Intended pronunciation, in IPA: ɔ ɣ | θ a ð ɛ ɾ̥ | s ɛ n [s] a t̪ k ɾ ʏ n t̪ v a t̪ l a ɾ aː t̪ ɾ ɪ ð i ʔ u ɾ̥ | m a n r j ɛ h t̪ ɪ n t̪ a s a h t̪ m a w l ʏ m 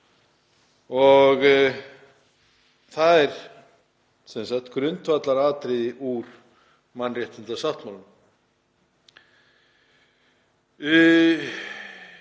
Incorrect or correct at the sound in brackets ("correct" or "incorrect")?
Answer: correct